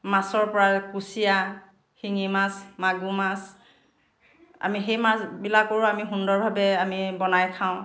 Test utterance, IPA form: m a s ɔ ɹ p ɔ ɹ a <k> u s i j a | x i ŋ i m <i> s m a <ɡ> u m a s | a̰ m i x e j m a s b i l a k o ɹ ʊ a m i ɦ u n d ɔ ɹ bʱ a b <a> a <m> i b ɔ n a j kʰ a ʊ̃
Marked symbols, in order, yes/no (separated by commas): yes, no, yes, no, yes